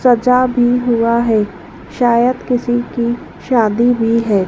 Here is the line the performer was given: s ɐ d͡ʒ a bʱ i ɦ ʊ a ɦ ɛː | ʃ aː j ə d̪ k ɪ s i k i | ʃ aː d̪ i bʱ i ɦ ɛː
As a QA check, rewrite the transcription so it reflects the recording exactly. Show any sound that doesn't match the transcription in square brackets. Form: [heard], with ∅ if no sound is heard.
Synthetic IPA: s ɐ d͡ʒ a bʱ i ɦ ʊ a ɦ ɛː | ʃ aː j ə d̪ k ɪ s i k i | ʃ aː d̪ i bʱ i ɦ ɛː